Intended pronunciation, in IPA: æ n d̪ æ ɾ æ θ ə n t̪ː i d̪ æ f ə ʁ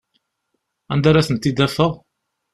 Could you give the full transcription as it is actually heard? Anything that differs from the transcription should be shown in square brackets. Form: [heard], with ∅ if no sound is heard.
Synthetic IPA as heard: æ n d̪ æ ɾ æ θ ə n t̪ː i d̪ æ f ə ʁ